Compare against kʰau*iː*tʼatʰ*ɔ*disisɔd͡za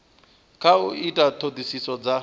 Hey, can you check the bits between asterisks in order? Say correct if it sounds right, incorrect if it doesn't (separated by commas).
incorrect, incorrect